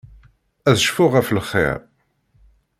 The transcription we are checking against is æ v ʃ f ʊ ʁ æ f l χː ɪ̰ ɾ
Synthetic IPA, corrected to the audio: æ ð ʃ f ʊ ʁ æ f l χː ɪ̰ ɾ